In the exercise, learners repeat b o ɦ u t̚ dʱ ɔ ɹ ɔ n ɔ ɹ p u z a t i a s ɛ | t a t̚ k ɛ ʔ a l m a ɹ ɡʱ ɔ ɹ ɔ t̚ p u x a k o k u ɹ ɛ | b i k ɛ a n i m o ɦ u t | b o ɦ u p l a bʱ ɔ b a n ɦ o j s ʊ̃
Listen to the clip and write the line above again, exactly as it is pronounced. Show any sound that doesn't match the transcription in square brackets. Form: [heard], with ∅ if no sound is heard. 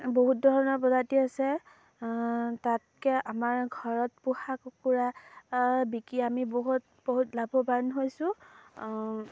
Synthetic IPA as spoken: b o ɦ u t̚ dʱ ɔ ɹ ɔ n ɔ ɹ p [ɔ] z a t i a s ɛ | t a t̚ k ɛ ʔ a [∅] m a ɹ ɡʱ ɔ ɹ ɔ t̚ p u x a k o k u ɹ [a] | b i k [i] a [m] i [b] o ɦ u t | b o ɦ u [t] l a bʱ ɔ b a n ɦ o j s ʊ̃